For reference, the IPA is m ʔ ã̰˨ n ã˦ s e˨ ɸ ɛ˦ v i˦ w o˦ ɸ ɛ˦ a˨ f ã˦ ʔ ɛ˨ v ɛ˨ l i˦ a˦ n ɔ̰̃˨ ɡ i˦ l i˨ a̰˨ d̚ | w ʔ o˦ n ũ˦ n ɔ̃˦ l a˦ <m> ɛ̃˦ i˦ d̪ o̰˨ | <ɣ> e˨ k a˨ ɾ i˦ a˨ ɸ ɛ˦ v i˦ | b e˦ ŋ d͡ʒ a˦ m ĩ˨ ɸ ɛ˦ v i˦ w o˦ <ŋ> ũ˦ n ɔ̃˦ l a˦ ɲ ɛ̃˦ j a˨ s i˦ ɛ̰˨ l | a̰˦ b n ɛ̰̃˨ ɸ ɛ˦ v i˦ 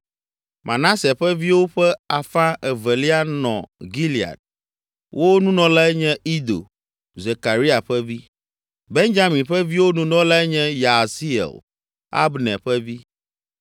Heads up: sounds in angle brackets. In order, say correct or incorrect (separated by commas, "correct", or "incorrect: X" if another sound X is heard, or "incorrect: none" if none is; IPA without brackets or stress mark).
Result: incorrect: ɲ, incorrect: z, incorrect: n